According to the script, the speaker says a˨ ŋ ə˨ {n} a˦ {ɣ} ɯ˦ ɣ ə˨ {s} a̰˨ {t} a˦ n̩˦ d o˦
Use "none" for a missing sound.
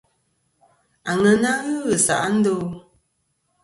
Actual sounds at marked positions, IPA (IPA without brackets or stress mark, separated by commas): n, ɣ, s, ʔ